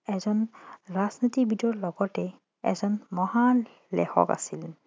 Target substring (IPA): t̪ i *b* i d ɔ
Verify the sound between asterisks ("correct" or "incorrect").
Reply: correct